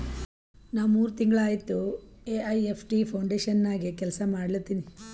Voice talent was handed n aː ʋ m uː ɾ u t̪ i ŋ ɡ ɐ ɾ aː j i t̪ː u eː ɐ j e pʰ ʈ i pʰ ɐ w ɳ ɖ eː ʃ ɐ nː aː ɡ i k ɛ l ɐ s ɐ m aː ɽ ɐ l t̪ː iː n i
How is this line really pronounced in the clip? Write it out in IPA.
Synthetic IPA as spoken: n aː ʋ m uː ɾ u t̪ i ŋ ɡ ɐ ɭ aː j i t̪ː u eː ɐ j e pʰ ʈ i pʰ ɐ w ɳ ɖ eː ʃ ɐ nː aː ɡ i k ɛ l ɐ s ɐ m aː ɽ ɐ l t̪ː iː n i